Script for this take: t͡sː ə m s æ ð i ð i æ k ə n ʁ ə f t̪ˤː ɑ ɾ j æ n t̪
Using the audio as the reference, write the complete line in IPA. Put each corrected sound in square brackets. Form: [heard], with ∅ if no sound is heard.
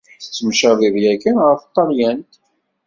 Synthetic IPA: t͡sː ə m [ʃ] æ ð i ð [j] æ k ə n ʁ ə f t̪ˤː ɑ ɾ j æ n t̪